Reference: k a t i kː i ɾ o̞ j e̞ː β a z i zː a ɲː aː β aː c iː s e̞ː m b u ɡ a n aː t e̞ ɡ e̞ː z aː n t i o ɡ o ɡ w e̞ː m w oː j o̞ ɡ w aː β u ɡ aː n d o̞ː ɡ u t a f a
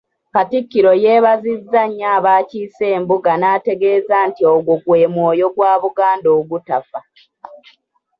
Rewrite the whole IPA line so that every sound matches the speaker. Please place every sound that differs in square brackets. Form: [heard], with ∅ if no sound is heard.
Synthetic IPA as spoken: k a t i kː i ɾ o̞ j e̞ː β a z i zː a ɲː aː β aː c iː s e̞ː m b u ɡ a n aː t e̞ ɡ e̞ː z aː n t i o ɡ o ɡ w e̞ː m w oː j o̞ ɡ w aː β u ɡ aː n d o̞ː ɡ u t a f a